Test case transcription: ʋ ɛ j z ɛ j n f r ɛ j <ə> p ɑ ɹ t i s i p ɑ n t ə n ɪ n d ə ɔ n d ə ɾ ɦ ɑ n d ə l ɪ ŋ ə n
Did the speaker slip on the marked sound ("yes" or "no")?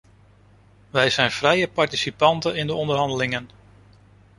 no